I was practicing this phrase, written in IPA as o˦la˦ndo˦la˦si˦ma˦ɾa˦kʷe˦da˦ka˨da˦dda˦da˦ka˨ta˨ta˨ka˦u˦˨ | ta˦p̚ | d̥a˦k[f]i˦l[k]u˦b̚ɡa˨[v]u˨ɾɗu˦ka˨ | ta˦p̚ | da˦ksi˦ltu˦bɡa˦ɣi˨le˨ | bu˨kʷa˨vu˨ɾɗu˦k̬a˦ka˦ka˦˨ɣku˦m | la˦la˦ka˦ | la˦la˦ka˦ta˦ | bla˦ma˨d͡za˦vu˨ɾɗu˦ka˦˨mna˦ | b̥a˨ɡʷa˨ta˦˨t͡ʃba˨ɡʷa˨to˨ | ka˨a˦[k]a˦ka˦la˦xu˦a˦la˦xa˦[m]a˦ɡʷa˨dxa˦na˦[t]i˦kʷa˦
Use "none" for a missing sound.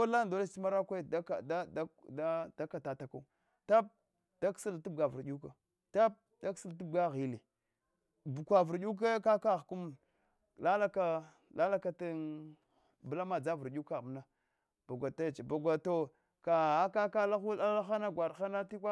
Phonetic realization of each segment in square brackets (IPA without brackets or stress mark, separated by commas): s, t, v, k, n, t